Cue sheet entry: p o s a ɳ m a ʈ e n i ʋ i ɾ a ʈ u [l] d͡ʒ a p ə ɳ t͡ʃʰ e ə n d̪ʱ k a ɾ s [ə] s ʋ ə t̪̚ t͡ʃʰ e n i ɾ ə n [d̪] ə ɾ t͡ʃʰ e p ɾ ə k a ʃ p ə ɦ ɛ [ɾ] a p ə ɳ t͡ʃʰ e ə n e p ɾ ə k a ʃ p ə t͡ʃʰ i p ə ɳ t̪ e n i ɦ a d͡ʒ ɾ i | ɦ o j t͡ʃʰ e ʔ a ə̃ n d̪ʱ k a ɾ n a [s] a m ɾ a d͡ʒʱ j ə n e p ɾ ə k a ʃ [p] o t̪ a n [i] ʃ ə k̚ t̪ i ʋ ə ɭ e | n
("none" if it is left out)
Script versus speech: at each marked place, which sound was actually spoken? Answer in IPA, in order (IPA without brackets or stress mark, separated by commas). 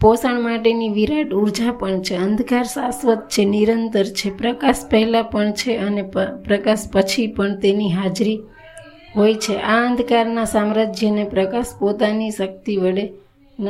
ɾ, a, t̪, l, s, p, i